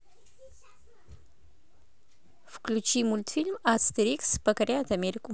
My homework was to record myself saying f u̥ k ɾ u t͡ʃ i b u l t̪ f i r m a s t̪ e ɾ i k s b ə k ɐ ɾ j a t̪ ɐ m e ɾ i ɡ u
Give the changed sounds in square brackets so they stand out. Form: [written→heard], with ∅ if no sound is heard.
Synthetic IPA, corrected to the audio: f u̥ k [ɾ→l] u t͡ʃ i [b→m] u l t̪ f i [r→l] m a s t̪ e ɾ i k s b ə k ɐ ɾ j a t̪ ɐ m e ɾ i [ɡ→k] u